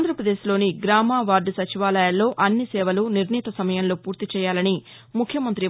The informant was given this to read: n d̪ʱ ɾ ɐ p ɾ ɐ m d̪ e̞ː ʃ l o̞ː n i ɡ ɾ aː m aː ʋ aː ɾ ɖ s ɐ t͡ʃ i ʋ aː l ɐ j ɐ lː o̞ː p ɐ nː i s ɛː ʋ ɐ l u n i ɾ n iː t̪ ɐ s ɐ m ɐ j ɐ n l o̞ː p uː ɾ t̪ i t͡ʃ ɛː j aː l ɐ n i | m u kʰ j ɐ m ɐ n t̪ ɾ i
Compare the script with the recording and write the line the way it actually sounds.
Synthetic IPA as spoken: n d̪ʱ ɾ ɐ p ɾ ɐ d̪ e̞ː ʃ l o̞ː n i ɡ ɾ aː m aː ʋ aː ɾ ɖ s ɐ t͡ʃ i ʋ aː l ɐ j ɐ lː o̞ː ʔ ɐ nː i s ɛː ʋ ɐ l u n i ɾ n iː t̪ ɐ s ɐ m ɐ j ɐ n l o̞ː p uː ɾ t̪ i t͡ʃ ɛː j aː l ɐ n i | m u kʰ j ɐ m ɐ n t̪ ɾ i